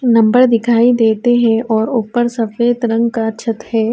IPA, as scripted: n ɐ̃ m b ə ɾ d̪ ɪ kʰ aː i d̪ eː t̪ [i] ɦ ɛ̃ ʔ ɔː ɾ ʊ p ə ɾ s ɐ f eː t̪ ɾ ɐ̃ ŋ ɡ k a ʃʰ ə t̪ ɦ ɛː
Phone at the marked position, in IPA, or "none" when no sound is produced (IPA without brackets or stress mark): e